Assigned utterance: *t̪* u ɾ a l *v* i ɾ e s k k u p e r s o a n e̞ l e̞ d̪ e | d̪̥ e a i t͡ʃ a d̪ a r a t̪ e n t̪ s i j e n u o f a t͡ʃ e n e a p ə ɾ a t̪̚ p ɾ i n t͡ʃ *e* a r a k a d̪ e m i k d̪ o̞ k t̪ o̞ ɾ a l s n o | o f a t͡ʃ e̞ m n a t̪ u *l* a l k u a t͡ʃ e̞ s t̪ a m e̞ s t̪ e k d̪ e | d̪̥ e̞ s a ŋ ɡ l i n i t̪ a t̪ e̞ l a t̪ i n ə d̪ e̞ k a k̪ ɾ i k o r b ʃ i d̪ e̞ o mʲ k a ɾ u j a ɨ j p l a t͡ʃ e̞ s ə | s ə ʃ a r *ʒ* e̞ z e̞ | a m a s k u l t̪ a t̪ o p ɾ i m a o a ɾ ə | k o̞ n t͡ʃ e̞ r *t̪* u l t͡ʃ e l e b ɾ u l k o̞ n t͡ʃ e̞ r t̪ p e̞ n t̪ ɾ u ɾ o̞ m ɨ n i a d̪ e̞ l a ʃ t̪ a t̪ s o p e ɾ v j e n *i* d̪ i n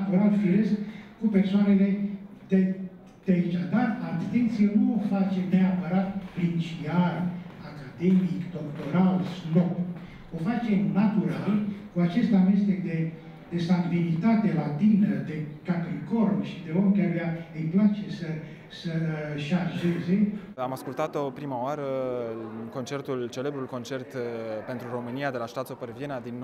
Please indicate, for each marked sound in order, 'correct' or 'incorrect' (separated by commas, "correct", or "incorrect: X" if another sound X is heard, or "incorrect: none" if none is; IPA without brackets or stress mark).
correct, incorrect: f, incorrect: i, incorrect: ɾ, correct, correct, incorrect: a